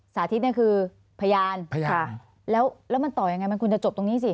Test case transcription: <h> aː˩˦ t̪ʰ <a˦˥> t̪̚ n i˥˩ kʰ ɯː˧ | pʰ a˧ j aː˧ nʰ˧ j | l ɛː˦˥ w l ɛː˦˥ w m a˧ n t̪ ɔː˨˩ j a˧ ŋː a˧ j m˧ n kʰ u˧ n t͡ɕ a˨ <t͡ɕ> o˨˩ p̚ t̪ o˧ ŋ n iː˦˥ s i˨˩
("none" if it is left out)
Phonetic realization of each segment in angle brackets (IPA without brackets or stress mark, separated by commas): s, i˦˥, t͡ɕ